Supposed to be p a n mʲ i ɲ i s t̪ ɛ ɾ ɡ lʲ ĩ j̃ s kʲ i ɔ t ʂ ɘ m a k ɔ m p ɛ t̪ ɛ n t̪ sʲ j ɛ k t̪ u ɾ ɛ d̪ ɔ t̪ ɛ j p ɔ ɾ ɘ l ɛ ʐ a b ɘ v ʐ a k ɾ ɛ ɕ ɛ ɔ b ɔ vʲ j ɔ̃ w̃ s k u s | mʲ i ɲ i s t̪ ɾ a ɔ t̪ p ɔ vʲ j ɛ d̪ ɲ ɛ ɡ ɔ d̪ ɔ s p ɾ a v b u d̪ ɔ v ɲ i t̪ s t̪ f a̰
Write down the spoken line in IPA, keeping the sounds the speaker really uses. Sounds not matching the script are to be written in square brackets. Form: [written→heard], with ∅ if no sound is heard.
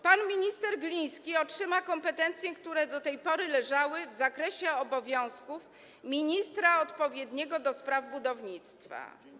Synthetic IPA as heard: p a n mʲ i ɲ i s t̪ ɛ ɾ ɡ lʲ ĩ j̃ s kʲ i ɔ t ʂ ɘ m a k ɔ m p ɛ t̪ ɛ n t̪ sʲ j ɛ k t̪ u ɾ ɛ d̪ ɔ t̪ ɛ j p ɔ ɾ ɘ l ɛ ʐ a [b→w] ɘ v [ʐ→z] a k ɾ ɛ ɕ ɛ ɔ b ɔ vʲ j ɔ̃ w̃ s k u [s→f] | mʲ i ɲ i s t̪ ɾ a ɔ t̪ p ɔ vʲ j ɛ d̪ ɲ ɛ ɡ ɔ d̪ ɔ s p ɾ a v b u d̪ ɔ v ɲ i t̪ s t̪ f a̰

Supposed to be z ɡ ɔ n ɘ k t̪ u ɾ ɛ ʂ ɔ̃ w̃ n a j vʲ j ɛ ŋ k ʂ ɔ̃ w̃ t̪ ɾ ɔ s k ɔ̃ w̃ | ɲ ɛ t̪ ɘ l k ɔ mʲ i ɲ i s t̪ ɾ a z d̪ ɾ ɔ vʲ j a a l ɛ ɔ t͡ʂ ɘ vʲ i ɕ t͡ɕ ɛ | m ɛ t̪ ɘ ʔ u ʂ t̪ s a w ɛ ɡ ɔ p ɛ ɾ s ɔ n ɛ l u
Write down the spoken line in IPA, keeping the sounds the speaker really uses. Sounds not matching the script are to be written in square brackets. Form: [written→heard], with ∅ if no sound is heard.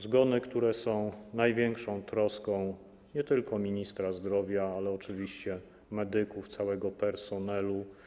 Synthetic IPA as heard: z ɡ ɔ n ɘ k t̪ u ɾ ɛ [ʂ→s] ɔ̃ w̃ n a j vʲ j ɛ ŋ k ʂ ɔ̃ w̃ t̪ ɾ ɔ s k ɔ̃ w̃ | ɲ ɛ t̪ ɘ l k ɔ mʲ i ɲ i s t̪ ɾ a z d̪ ɾ ɔ vʲ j a a l ɛ ɔ t͡ʂ ɘ vʲ i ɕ t͡ɕ ɛ | m ɛ [t̪→d̪] ɘ [ʔ→k] u [ʂ→f] t̪ s a w ɛ ɡ ɔ p ɛ ɾ s ɔ n ɛ l u

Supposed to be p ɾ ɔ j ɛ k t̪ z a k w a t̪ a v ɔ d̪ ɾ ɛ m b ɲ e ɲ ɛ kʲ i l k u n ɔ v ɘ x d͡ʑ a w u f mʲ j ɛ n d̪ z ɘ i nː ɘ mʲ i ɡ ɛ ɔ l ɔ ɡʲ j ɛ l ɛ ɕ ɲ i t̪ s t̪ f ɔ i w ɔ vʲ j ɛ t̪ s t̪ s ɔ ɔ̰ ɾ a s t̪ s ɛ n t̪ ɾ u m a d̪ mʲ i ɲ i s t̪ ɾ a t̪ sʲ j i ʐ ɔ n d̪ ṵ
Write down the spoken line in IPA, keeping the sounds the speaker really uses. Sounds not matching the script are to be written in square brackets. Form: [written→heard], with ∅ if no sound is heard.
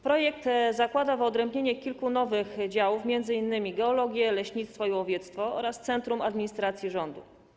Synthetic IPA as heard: p ɾ ɔ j ɛ k t̪ z a k w a [t̪→d̪] a v ɔ d̪ ɾ ɛ m b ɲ e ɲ ɛ kʲ i l k u n ɔ v ɘ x d͡ʑ a w u f mʲ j ɛ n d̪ z ɘ i nː ɘ mʲ i ɡ ɛ ɔ l ɔ ɡʲ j ɛ l ɛ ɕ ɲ i t̪ s t̪ f ɔ i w ɔ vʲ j ɛ t̪ s t̪ [s→f] ɔ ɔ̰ ɾ a s t̪ s ɛ n t̪ ɾ u m a d̪ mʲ i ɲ i s t̪ ɾ a t̪ sʲ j i ʐ ɔ n d̪ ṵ

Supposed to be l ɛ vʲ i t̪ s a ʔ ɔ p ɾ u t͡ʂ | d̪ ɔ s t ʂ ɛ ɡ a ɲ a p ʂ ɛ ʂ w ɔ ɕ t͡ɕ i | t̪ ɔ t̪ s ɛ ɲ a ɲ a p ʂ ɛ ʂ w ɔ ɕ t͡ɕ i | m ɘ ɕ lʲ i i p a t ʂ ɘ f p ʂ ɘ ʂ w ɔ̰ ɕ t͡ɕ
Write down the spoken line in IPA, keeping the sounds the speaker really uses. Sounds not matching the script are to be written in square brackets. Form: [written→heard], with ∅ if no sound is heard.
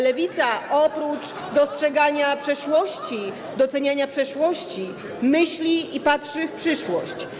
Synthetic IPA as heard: l ɛ vʲ i t̪ s a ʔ ɔ p ɾ u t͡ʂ | d̪ ɔ s t ʂ ɛ ɡ a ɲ a p ʂ ɛ ʂ w ɔ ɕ t͡ɕ i | [t̪→d̪] ɔ t̪ s ɛ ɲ a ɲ a p ʂ ɛ ʂ w ɔ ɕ t͡ɕ i | m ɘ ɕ lʲ i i p a t ʂ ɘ f p ʂ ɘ ʂ w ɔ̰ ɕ t͡ɕ

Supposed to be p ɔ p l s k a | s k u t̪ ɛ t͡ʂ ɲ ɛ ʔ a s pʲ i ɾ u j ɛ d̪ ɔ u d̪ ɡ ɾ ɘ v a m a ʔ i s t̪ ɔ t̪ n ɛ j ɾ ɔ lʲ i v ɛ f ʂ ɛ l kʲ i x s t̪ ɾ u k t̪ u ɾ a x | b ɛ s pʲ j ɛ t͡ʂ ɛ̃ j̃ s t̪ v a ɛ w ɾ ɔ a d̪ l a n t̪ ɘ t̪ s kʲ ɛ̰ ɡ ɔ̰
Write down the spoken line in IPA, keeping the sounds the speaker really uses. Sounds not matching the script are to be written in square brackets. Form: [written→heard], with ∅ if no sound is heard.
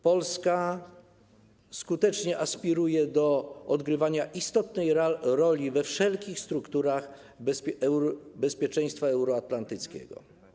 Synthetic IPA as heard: p ɔ [p→∅] l s k a | s k u t̪ ɛ t͡ʂ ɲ ɛ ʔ a s pʲ i ɾ u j ɛ d̪ ɔ [u→ɔ] d̪ ɡ ɾ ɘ v a [m→ɲ] a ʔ i s t̪ ɔ t̪ n ɛ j ɾ ɔ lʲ i v ɛ f ʂ ɛ l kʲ i x s t̪ ɾ u k t̪ u ɾ a x | b ɛ s pʲ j ɛ t͡ʂ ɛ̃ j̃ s t̪ [v→f] a ɛ w ɾ ɔ a [d̪→t̪] l a n t̪ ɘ t̪ s kʲ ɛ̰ ɡ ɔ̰

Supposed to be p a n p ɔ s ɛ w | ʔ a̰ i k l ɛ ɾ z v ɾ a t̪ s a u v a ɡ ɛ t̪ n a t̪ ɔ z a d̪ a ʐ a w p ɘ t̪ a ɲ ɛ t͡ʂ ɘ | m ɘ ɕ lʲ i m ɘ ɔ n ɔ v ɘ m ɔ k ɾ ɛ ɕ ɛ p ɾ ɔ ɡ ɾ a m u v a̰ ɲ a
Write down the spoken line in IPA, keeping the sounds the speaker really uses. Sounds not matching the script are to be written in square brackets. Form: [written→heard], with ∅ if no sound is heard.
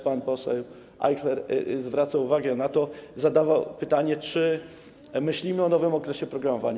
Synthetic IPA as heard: p a n p ɔ s ɛ w | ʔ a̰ [i→j] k l ɛ ɾ z v ɾ a t̪ s a u v a ɡ ɛ [t̪→∅] n a t̪ ɔ z a d̪ a [ʐ→v] a w p ɘ t̪ a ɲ ɛ t͡ʂ ɘ | m ɘ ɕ lʲ i m ɘ ɔ n ɔ v ɘ m ɔ k ɾ ɛ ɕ ɛ p ɾ ɔ ɡ ɾ a m [u→ɔ] v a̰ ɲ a

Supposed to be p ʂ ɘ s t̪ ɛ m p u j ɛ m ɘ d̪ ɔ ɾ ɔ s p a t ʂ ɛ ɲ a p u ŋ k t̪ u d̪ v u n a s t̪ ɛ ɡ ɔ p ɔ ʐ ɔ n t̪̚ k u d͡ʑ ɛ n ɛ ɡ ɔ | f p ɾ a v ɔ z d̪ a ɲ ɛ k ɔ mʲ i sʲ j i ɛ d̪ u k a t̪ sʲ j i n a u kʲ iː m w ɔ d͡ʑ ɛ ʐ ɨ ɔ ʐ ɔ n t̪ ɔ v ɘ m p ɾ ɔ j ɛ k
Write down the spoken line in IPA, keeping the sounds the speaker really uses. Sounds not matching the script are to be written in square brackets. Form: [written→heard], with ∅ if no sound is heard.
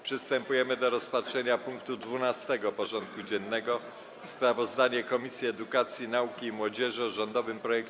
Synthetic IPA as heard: p ʂ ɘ s t̪ ɛ m p u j ɛ m ɘ d̪ ɔ ɾ ɔ s p a t ʂ ɛ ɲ a p u ŋ k t̪ u d̪ v u n a s t̪ ɛ ɡ ɔ p ɔ ʐ ɔ n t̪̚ k u d͡ʑ ɛ [n→nː] ɛ ɡ ɔ | [f→s] p ɾ a v ɔ z d̪ a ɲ ɛ k ɔ mʲ i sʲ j i ɛ d̪ u k a t̪ sʲ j i n a u kʲ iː m w ɔ d͡ʑ ɛ ʐ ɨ ɔ ʐ ɔ n [t̪→d̪] ɔ v ɘ m p ɾ ɔ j ɛ k

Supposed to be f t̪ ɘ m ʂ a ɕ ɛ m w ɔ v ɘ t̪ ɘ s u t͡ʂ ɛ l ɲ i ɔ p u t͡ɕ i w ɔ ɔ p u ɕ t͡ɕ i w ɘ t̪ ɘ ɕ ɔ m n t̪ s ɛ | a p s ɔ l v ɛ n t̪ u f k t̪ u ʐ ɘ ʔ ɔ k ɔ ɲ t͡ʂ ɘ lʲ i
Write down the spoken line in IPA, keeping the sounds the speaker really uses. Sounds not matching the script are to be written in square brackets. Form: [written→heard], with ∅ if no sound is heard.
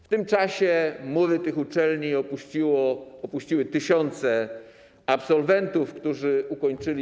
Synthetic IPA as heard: f t̪ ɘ m [ʂ→t͡ʂ] a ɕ ɛ m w ɔ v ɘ t̪ ɘ [s→x] u t͡ʂ ɛ l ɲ i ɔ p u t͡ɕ i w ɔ ɔ p u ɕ t͡ɕ i w ɘ t̪ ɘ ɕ ɔ [m→∅] n t̪ s ɛ | a p s ɔ l v ɛ n t̪ u f k t̪ u ʐ ɘ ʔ [ɔ→u] k ɔ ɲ t͡ʂ ɘ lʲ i

